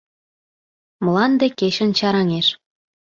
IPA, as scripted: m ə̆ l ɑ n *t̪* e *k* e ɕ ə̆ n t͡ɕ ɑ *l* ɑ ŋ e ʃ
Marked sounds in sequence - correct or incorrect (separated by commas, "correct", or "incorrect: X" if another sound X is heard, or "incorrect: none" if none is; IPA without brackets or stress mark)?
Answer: incorrect: d̪, correct, incorrect: ɾ